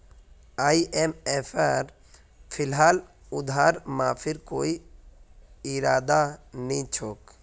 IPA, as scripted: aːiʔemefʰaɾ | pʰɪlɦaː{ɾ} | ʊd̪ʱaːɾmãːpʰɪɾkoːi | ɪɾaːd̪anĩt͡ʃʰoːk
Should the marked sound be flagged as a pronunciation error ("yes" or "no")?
yes